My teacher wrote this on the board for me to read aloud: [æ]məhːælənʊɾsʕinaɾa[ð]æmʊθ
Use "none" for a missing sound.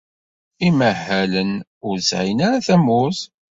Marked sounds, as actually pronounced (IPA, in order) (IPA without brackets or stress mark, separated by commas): i, θ